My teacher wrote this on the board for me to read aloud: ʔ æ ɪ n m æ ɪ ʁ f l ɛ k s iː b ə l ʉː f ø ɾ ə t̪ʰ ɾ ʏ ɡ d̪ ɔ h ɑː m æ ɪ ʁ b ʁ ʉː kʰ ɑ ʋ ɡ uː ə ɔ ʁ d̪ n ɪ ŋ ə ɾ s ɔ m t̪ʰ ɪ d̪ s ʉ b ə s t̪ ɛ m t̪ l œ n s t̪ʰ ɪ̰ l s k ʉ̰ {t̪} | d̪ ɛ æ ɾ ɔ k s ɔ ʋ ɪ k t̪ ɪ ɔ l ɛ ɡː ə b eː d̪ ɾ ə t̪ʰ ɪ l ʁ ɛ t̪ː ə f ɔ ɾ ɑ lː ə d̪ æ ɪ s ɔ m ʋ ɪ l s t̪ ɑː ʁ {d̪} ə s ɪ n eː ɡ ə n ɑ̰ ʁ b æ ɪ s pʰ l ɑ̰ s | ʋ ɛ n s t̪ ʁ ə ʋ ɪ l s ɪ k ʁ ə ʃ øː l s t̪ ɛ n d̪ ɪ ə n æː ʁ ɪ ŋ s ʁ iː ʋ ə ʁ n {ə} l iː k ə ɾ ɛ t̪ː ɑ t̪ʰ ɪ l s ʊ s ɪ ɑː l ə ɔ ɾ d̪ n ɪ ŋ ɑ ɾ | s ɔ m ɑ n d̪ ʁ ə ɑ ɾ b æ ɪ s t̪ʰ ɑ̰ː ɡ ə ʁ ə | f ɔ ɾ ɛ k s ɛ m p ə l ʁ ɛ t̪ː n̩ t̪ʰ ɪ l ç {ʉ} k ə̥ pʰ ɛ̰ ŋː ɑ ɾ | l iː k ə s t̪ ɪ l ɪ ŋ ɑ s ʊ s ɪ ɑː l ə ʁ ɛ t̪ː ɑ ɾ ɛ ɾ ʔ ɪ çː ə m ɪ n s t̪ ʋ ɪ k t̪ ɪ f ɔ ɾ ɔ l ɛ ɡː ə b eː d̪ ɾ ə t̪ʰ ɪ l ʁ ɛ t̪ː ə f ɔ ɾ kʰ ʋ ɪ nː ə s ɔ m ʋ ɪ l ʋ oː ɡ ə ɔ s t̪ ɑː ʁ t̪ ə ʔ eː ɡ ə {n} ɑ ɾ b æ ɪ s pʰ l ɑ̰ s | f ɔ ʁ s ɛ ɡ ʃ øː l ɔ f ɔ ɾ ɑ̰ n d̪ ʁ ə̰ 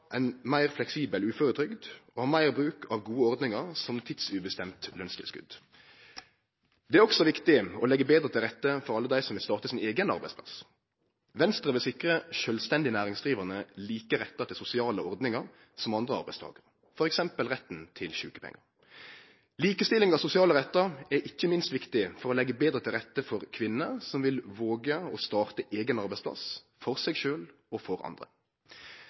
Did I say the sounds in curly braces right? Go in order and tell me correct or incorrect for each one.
incorrect: d̪, incorrect: t̪, correct, incorrect: ʉː, correct

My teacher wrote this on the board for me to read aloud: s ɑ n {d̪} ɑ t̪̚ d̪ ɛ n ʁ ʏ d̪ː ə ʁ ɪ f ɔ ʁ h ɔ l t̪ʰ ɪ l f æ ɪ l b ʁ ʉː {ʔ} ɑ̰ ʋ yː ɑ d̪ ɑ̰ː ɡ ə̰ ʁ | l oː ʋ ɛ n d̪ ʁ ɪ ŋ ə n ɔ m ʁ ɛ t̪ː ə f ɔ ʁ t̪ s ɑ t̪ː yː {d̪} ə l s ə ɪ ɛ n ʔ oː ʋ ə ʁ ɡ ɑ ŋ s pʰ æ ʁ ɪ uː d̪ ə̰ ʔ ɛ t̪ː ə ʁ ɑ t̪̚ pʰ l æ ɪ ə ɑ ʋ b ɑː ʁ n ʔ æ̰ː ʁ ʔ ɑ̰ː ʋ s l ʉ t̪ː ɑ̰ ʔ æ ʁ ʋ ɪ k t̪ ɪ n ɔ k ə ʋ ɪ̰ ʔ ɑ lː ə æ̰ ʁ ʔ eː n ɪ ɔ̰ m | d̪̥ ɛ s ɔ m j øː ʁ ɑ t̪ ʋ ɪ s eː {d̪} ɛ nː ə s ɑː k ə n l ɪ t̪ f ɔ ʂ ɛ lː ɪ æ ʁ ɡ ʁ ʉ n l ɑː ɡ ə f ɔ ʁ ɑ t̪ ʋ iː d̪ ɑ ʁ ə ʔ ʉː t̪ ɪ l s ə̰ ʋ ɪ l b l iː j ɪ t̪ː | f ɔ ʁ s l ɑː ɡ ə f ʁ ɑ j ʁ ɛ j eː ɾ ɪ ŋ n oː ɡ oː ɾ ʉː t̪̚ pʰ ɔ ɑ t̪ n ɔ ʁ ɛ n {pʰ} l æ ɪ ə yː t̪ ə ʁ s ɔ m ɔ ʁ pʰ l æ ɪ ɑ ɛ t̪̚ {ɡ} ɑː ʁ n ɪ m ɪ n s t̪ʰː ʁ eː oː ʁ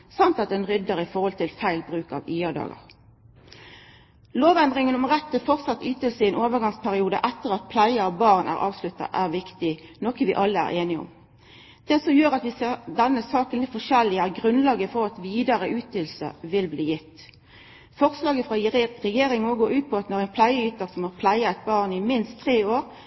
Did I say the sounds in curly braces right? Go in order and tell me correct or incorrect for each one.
incorrect: t̪, incorrect: k, incorrect: t̪, correct, correct, incorrect: b

